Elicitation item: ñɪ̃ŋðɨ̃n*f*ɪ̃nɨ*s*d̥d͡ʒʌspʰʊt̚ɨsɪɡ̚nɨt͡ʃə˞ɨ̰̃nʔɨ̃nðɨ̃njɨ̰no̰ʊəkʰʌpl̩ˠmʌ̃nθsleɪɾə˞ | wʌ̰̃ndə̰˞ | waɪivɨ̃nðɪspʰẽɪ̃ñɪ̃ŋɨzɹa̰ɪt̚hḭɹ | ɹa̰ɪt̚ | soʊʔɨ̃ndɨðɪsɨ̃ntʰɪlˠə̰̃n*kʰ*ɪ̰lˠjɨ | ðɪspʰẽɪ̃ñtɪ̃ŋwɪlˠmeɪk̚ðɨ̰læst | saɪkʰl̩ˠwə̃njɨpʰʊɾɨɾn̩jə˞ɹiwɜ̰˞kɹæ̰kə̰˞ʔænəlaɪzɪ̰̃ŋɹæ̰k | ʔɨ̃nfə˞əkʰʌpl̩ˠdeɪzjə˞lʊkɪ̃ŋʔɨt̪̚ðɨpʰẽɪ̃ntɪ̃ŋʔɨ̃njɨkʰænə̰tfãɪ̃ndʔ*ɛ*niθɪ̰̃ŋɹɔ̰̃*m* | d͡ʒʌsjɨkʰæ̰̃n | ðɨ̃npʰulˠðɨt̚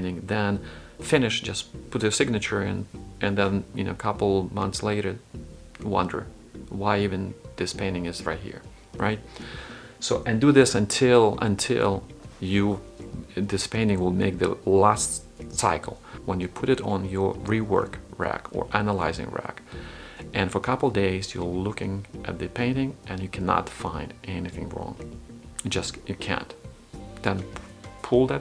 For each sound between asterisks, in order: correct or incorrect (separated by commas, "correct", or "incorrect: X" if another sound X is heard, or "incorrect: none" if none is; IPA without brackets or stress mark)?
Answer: correct, incorrect: ʃ, incorrect: tʰ, correct, incorrect: ŋ